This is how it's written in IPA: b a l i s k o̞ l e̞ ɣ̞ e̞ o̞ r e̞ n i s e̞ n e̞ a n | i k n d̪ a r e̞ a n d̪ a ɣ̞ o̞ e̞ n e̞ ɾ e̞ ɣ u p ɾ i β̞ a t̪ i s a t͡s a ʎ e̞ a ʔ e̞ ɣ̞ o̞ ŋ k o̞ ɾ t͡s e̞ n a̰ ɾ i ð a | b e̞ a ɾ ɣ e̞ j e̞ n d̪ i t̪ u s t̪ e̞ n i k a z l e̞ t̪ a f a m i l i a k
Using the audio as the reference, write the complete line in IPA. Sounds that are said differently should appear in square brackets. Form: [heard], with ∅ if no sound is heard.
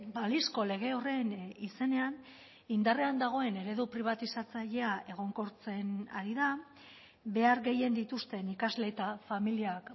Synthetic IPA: b a l i s k o̞ l e̞ ɣ̞ e̞ o̞ r e̞ n i s e̞ n e̞ a n | i [∅] n d̪ a r e̞ a n d̪ a ɣ̞ o̞ e̞ n e̞ ɾ e̞ [ð] u p ɾ i β̞ a t̪ i s a t͡s a ʎ e̞ a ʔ e̞ ɣ̞ o̞ ŋ k o̞ ɾ t͡s e̞ n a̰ ɾ i ð a | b e̞ a ɾ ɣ e̞ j e̞ n d̪ i t̪ u s t̪ e̞ n i k a z l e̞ t̪ a f a m i l i a k

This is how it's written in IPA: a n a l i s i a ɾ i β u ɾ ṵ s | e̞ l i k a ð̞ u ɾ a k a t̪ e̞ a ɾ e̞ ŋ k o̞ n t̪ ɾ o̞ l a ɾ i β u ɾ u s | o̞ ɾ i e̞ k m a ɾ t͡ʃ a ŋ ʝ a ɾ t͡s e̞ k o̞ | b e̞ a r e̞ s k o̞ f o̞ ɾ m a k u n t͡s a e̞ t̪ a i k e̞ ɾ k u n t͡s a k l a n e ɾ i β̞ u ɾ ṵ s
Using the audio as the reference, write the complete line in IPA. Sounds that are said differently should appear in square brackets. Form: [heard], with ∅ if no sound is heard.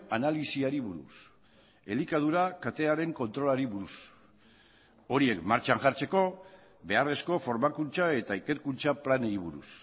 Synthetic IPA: a n a l i s i a ɾ i β u ɾ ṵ s | e̞ l i k a ð̞ u ɾ a k a t̪ e̞ a ɾ e̞ ŋ k o̞ n t̪ ɾ o̞ l a ɾ i β u ɾ u s | o̞ ɾ i e̞ k m a ɾ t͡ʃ a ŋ ʝ a ɾ t͡s e̞ k o̞ | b e̞ a r e̞ s k o̞ f o̞ ɾ m a k u n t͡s a e̞ t̪ a i k e̞ ɾ k u n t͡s a [p] l a n e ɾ i β̞ u ɾ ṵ s

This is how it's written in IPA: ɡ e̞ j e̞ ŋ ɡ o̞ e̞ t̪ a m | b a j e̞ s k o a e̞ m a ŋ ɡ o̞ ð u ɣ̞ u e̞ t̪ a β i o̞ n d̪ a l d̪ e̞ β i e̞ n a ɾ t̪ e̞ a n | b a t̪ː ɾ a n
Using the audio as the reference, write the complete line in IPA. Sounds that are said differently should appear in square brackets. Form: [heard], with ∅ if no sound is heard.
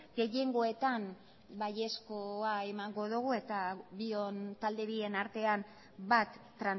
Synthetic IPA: ɡ e̞ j e̞ ŋ ɡ o̞ e̞ t̪ a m | b a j e̞ s k o a e̞ m a ŋ ɡ o̞ ð u ɣ̞ u e̞ t̪ a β i o̞ n [t̪] a l d̪ e̞ β i e̞ n a ɾ t̪ e̞ a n | b a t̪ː ɾ a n

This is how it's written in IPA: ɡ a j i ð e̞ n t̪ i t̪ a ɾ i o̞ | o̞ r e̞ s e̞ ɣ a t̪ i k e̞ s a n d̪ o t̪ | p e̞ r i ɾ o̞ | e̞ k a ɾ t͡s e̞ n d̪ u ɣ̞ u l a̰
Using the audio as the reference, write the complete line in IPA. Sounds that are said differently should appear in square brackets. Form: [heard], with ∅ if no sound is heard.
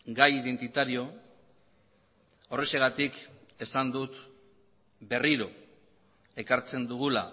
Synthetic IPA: ɡ a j i ð e̞ n t̪ i t̪ a ɾ i o̞ | o̞ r e̞ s e̞ ɣ a t̪ i k e̞ s a n d̪ [u] t̪ | [b] e̞ r i ɾ o̞ | e̞ k a ɾ t͡s e̞ n d̪ u ɣ̞ u l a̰

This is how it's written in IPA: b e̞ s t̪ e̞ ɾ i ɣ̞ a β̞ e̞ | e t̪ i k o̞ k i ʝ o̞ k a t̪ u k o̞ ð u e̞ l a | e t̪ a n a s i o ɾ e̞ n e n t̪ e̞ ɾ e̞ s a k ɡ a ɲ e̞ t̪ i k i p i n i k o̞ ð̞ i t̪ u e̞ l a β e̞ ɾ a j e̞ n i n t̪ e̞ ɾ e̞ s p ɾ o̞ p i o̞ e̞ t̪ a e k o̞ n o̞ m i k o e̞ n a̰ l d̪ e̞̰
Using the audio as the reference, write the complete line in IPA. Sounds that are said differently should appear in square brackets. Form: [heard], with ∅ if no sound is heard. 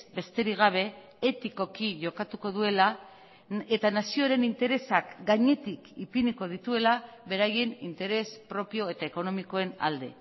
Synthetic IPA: b e̞ s t̪ e̞ ɾ i ɣ̞ a β̞ e̞ | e t̪ i k o̞ k i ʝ o̞ k a t̪ u k o̞ ð u e̞ l a | e t̪ a n a s i o ɾ e̞ n [i] n t̪ e̞ ɾ e̞ s a k ɡ a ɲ e̞ t̪ i k i p i n i k o̞ ð̞ i t̪ u e̞ l a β e̞ ɾ a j e̞ n i n t̪ e̞ ɾ e̞ s p ɾ o̞ p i o̞ e̞ t̪ a e k o̞ n o̞ m i k o e̞ n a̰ l d̪ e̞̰

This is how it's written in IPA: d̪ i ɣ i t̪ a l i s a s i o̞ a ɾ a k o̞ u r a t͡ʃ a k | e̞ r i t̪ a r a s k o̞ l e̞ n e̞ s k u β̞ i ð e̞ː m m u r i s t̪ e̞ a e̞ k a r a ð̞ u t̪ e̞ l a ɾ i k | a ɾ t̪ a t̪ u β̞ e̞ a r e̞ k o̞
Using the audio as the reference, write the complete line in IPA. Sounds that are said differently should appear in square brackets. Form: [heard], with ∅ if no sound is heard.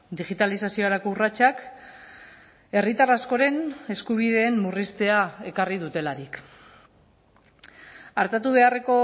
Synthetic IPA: d̪ i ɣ i t̪ a l i s a s i o̞ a ɾ a k o̞ u r a t͡ʃ a k | e̞ r i t̪ a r a s k o̞ [ɾ] e̞ n e̞ s k u β̞ i ð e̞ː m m u r i s t̪ e̞ a e̞ k a r [i] ð̞ u t̪ e̞ l a ɾ i k | a ɾ t̪ a t̪ u β̞ e̞ a r e̞ k o̞

